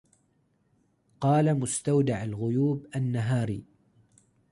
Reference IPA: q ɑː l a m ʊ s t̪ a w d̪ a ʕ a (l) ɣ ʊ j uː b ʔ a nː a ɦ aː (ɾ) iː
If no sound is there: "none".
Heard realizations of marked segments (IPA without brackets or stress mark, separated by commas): l, ɾ